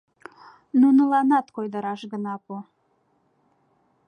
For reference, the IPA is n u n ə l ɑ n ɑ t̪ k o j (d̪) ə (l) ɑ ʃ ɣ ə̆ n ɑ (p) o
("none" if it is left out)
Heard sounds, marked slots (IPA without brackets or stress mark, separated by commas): d̪, ɾ, p